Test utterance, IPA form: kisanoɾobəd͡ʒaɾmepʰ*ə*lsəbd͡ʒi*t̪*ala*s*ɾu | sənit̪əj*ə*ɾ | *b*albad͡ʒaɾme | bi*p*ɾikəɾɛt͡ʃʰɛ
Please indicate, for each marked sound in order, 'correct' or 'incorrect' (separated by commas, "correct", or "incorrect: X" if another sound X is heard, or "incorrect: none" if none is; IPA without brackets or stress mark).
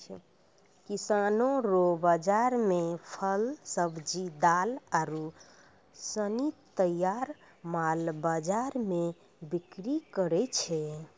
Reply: correct, incorrect: d̪, incorrect: none, incorrect: a, incorrect: m, incorrect: k